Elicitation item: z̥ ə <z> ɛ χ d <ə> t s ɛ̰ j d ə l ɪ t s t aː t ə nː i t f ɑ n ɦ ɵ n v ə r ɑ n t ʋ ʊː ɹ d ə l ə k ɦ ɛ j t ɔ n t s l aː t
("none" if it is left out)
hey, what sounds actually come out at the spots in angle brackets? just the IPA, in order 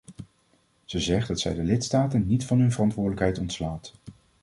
z, ɑ

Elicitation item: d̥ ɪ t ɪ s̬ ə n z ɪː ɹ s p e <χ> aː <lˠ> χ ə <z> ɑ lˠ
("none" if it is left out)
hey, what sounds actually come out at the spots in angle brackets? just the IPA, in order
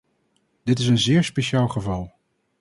ʃ, lˠ, v

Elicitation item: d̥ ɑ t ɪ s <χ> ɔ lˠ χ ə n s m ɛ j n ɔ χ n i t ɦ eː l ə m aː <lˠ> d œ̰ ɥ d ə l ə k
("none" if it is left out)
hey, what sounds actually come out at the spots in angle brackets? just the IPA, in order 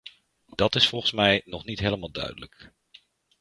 f, lˠ

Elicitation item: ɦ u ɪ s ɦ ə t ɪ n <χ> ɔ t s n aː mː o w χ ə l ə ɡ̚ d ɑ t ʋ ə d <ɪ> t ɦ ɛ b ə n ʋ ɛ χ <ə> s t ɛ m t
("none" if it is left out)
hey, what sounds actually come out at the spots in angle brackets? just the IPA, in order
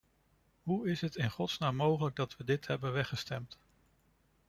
χ, ɪ, ə

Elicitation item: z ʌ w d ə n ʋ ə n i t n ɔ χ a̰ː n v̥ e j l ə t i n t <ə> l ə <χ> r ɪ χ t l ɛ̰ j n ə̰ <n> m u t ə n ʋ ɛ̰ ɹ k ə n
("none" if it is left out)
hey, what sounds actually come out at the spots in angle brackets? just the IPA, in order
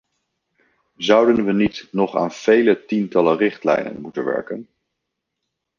ɑ, none, n

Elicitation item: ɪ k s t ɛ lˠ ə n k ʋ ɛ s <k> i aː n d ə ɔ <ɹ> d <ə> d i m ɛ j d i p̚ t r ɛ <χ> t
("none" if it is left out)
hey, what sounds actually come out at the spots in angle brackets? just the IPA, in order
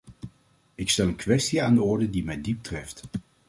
t, ɹ, ə, f

